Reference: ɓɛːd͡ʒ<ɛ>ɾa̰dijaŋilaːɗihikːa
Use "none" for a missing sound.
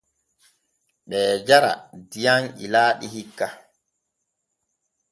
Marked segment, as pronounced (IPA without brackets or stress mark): a